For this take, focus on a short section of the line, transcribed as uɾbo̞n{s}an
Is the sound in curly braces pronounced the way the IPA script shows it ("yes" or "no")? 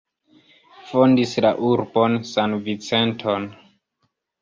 yes